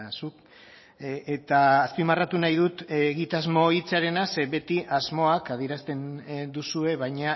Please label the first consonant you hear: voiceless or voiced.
voiceless